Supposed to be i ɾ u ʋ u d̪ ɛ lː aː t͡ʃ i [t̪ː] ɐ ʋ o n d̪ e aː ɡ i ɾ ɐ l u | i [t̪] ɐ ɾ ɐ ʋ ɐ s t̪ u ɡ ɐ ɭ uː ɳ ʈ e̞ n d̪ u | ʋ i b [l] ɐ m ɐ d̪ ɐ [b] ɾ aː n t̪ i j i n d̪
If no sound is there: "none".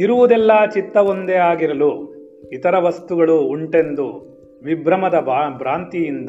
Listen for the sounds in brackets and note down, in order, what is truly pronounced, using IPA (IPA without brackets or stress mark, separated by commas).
t̪ː, t̪, ɾ, b